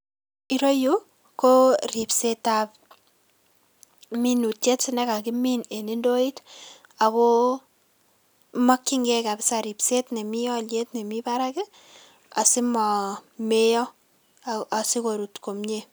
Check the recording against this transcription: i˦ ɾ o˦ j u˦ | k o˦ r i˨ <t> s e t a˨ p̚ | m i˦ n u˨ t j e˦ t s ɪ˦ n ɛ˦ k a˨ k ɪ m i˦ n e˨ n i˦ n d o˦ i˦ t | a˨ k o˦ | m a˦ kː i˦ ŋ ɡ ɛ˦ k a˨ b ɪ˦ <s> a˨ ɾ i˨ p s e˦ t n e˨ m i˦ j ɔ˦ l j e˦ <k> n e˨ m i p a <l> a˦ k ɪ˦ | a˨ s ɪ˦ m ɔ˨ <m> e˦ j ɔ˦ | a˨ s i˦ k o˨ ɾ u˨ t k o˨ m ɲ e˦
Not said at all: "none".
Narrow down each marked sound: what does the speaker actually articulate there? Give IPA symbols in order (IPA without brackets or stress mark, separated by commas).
p, s, t, ɾ, m